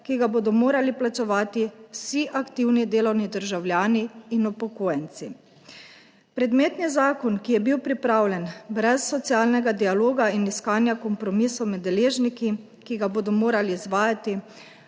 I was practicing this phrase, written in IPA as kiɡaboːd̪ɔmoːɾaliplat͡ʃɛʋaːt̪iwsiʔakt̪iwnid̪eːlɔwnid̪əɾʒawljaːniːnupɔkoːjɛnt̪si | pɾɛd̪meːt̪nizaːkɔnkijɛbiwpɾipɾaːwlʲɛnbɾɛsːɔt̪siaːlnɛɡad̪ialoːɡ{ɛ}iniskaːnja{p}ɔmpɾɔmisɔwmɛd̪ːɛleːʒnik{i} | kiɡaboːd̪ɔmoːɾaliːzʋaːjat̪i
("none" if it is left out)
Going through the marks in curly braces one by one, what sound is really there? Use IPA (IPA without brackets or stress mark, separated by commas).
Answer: a, k, i